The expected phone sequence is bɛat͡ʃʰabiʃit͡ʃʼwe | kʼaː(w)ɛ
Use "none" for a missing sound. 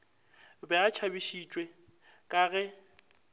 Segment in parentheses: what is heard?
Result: ɣ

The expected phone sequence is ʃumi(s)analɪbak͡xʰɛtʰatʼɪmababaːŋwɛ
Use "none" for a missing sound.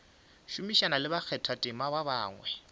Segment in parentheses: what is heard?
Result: ʃ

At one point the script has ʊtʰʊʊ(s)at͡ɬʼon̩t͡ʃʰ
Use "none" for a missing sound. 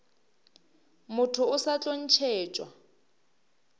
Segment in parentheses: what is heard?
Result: s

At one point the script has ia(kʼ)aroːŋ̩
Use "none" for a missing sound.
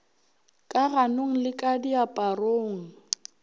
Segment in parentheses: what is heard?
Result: pʼ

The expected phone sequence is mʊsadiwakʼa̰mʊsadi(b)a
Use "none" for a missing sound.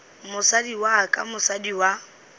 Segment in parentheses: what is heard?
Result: w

